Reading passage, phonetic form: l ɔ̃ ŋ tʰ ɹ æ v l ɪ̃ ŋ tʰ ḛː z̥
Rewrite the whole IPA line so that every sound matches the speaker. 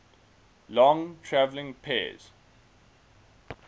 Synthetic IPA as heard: l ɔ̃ ŋ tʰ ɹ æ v l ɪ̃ ŋ pʰ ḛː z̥